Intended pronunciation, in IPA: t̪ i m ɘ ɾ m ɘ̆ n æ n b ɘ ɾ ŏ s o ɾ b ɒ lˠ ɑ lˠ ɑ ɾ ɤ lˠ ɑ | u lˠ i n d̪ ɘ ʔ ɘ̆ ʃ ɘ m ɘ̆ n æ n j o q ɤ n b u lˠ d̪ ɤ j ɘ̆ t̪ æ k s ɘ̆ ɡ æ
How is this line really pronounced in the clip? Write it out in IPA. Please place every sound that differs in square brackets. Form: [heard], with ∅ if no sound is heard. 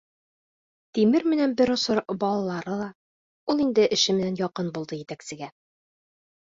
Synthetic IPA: t̪ i m ɘ ɾ m ɘ̆ n æ n b ɘ ɾ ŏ s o ɾ b ɒ lˠ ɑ lˠ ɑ ɾ ɤ lˠ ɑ | u lˠ i n d̪ ɘ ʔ ɘ̆ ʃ ɘ m ɘ̆ n æ n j [ɒ] q ɤ n b u lˠ d̪ ɤ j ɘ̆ t̪ æ k s ɘ̆ ɡ æ